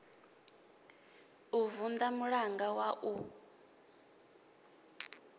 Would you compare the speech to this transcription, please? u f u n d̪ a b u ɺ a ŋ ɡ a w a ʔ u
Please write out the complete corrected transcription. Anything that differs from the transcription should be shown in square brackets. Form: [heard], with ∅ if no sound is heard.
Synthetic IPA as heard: u [v] u n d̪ a [m] u ɺ a ŋ ɡ a w a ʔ u